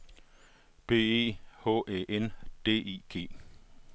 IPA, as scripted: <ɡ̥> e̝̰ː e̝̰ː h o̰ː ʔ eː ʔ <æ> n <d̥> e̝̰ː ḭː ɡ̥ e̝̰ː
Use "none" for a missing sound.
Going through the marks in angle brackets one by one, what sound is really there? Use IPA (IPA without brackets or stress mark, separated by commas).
b̥, e, d̥